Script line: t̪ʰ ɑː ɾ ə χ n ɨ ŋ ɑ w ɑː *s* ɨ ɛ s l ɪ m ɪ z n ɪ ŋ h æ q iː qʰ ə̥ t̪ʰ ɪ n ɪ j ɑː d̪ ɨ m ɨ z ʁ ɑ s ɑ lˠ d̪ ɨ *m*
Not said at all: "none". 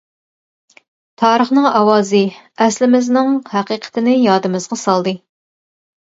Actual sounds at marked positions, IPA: z, none

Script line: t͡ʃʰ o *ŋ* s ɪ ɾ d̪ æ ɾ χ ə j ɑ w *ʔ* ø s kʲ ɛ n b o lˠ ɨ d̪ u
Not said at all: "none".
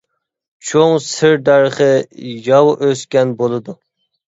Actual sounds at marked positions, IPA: ŋ, ʔ

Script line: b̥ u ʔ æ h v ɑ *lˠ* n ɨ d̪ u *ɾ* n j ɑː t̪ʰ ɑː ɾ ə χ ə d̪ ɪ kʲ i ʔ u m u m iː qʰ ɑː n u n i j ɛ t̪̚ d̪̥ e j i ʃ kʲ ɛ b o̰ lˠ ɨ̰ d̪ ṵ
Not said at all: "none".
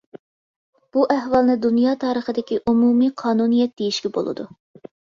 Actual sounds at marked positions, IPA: lˠ, none

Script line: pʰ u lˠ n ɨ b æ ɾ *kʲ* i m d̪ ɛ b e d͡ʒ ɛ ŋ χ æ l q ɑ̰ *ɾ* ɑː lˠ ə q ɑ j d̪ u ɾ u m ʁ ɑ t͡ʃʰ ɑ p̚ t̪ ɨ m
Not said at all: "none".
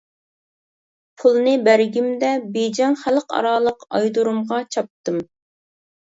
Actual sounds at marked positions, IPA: ɡʲ, ɾ

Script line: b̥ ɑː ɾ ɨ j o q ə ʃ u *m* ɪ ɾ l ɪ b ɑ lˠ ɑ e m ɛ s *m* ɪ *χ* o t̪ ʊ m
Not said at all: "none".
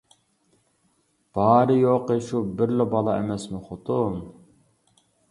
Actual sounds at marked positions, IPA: b, m, χ

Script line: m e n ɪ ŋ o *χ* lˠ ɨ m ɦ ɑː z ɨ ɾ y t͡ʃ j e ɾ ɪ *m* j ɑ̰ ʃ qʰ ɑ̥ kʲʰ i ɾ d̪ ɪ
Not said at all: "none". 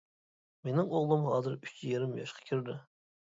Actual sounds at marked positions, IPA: ʁ, m

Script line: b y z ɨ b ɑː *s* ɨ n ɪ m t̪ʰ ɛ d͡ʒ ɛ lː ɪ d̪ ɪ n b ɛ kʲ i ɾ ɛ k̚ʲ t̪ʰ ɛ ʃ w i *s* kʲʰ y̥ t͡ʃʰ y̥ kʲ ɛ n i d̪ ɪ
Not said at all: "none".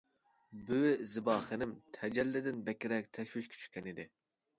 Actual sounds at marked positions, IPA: χ, ʃ

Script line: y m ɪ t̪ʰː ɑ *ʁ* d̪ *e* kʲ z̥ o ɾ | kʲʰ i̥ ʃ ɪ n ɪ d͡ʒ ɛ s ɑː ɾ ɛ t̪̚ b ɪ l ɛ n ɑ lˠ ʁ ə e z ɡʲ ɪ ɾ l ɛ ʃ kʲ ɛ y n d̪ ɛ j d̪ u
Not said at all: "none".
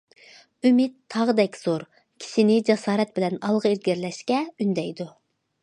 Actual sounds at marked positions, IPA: ʁ, ɛ

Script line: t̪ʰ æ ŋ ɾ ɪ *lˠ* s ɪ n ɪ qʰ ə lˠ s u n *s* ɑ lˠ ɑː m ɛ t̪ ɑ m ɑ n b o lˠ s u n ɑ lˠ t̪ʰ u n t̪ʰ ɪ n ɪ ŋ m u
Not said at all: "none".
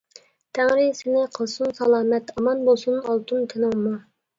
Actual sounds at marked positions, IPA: none, s

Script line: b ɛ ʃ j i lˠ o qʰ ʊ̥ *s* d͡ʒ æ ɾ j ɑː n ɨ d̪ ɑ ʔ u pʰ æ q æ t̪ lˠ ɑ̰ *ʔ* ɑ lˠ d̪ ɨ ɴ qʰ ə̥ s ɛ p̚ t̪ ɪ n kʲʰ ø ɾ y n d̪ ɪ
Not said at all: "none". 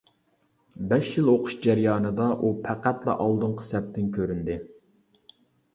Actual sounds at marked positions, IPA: ʃ, ʔ

